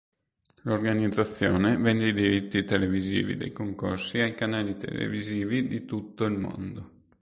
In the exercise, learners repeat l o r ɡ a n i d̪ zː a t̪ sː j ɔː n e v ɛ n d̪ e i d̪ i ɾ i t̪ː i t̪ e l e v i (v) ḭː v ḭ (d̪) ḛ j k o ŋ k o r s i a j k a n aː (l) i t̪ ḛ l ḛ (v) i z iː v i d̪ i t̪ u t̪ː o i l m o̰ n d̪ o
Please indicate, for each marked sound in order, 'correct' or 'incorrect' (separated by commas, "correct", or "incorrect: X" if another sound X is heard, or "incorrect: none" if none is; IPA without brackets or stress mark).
incorrect: z, correct, correct, correct